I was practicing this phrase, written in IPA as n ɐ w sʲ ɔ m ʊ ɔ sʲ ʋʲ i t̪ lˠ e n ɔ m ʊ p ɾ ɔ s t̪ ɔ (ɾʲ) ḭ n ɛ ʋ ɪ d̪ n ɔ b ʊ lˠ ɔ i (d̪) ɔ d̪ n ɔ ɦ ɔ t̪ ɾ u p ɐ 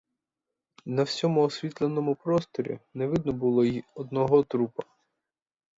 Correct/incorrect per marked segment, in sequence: correct, incorrect: none

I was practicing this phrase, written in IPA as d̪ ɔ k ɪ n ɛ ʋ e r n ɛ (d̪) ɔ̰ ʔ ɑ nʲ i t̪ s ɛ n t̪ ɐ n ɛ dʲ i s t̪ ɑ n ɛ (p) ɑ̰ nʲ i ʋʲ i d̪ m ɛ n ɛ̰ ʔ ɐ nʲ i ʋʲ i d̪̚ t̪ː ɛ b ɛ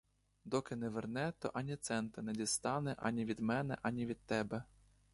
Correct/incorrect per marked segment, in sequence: incorrect: t̪, incorrect: ʔ

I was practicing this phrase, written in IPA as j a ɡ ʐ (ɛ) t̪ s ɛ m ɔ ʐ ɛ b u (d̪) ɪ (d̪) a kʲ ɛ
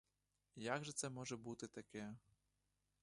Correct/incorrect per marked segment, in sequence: correct, incorrect: t̪, incorrect: t̪

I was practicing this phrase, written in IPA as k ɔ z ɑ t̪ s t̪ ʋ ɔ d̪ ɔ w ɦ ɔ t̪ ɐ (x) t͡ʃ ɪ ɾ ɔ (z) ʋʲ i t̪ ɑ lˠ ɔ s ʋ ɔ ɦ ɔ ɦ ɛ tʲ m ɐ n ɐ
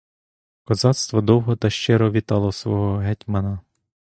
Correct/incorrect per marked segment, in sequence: incorrect: ʃ, incorrect: none

